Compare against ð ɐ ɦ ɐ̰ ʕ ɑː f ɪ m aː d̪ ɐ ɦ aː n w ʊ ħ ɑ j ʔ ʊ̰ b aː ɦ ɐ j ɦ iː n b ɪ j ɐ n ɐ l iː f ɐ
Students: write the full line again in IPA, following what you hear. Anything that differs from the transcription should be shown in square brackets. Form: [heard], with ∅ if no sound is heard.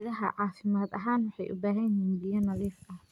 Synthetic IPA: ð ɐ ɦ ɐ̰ ʕ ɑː f ɪ m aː d̪ ɐ ɦ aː n w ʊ ħ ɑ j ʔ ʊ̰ b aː ɦ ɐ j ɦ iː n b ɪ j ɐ n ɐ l iː f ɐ